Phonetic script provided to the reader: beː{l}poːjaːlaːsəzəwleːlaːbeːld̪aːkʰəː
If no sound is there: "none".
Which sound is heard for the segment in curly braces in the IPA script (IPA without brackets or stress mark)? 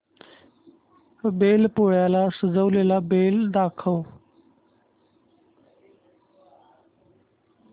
l